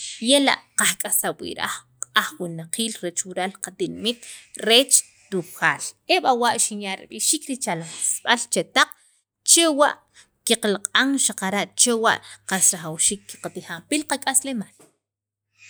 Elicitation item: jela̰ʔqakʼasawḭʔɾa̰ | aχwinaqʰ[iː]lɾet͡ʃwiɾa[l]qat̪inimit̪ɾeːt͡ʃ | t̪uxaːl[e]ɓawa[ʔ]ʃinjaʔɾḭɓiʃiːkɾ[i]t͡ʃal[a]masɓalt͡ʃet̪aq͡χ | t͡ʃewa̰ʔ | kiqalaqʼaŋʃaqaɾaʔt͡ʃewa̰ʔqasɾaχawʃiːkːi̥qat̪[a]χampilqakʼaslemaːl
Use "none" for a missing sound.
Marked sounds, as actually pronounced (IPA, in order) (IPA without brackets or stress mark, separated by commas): iː, l, e, ʔ, i, a, i